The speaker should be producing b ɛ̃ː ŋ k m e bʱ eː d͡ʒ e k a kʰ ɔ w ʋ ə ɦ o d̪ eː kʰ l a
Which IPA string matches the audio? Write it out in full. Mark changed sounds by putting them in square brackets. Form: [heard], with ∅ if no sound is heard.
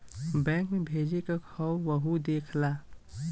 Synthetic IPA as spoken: b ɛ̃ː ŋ k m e bʱ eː d͡ʒ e k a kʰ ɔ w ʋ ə ɦ [u] d̪ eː kʰ l a